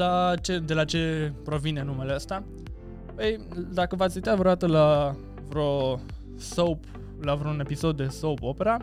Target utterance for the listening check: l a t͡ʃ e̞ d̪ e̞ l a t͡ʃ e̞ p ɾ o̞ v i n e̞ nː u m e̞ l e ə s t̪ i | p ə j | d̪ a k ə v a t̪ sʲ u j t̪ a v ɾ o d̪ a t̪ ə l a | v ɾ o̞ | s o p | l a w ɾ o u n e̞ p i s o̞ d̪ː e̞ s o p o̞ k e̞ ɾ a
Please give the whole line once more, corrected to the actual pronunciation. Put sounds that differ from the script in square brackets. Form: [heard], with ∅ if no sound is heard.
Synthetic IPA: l a t͡ʃ e̞ d̪ e̞ l a t͡ʃ e̞ p ɾ o̞ v i n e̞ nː u m e̞ l e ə s t̪ [a] | p ə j | d̪ a k ə v a t̪ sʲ u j t̪ a v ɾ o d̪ a t̪ ə l a | v ɾ o̞ | s o p | l a [v] ɾ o u n e̞ p i s o̞ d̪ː e̞ s o p o̞ [p] e̞ ɾ a